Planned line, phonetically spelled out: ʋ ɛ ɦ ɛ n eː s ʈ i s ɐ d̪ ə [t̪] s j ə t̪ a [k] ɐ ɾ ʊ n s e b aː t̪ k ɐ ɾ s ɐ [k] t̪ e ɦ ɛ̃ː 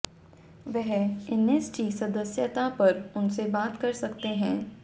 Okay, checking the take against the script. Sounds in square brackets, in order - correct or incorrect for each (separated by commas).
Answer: incorrect, incorrect, correct